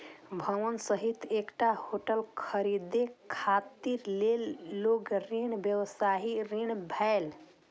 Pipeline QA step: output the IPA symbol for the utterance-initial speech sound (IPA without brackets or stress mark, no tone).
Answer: bʱ